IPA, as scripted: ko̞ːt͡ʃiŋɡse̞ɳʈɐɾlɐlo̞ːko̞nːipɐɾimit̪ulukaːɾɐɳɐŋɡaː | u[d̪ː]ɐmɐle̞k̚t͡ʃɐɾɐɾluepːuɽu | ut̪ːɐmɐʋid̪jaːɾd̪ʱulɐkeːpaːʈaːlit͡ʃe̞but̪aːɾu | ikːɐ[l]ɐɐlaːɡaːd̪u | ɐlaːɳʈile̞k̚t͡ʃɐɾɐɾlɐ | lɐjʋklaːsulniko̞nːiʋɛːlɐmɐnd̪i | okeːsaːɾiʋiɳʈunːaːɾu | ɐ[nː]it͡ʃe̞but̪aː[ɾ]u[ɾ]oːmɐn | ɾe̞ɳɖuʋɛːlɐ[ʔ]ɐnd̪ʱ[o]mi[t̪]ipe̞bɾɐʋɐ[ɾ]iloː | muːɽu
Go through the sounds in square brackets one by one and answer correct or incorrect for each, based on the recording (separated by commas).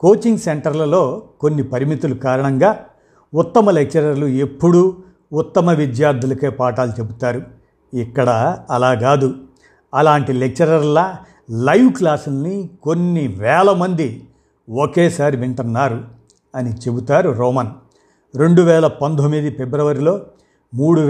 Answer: incorrect, incorrect, incorrect, correct, correct, incorrect, correct, incorrect, correct